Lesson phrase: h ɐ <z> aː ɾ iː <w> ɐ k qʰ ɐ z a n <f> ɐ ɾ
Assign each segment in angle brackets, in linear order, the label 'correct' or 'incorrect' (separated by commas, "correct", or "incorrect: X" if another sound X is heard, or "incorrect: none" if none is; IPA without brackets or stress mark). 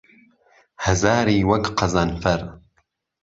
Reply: correct, correct, correct